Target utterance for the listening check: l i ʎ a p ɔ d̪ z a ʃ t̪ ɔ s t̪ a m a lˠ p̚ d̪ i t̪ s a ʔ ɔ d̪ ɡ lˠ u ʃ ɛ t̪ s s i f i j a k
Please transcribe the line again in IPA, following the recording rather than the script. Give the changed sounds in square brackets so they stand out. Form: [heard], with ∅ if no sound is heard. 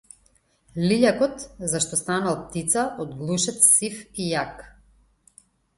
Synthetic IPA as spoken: l i ʎ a [k] ɔ [t̪] z a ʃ t̪ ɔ s t̪ a [n] a lˠ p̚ [t̪] i t̪ s a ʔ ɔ d̪ ɡ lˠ u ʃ ɛ t̪ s s i f i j a k